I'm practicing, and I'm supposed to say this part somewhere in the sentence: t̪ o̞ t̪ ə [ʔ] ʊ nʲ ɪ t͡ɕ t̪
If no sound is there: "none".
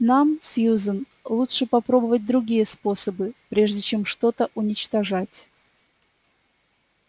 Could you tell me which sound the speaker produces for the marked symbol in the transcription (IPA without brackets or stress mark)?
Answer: ʔ